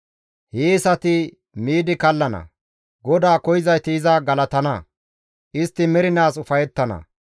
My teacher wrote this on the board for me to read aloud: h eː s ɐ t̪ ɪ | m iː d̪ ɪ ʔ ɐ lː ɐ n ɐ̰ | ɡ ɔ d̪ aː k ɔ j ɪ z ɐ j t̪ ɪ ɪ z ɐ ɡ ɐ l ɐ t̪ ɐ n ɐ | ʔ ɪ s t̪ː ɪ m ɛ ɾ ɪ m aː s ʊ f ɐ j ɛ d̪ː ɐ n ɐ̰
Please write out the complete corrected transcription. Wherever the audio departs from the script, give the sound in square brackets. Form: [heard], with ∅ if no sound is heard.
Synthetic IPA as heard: h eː s ɐ t̪ ɪ | m iː d̪ ɪ [k] ɐ lː ɐ n ɐ̰ | ɡ ɔ d̪ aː k ɔ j ɪ z ɐ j t̪ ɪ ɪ z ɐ ɡ ɐ l ɐ t̪ ɐ n ɐ | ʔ ɪ s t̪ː ɪ m ɛ ɾ ɪ [n] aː s ʊ f ɐ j ɛ [t̪ː] ɐ n ɐ̰